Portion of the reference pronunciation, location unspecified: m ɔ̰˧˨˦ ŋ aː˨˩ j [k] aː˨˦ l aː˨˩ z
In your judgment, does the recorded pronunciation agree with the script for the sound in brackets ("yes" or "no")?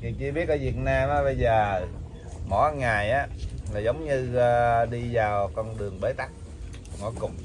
no